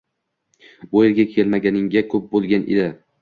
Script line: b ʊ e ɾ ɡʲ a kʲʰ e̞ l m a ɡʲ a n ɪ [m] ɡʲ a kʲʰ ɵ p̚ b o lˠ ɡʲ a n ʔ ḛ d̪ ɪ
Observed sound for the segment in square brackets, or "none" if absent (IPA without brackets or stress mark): ŋ